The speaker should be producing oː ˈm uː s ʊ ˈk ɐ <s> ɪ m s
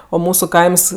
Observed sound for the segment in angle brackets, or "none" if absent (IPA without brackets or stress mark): none